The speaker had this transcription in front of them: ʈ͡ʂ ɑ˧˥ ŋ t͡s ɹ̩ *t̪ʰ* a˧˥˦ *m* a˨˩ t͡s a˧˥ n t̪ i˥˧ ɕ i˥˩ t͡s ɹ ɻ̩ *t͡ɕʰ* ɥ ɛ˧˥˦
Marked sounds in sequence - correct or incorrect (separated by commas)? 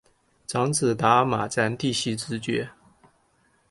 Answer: incorrect, correct, incorrect